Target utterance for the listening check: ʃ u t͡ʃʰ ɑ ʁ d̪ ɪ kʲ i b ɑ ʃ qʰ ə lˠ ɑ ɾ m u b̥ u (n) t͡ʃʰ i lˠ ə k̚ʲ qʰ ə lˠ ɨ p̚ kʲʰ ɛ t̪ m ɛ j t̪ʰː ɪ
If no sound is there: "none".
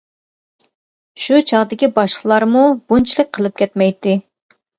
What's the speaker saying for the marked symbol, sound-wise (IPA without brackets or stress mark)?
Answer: n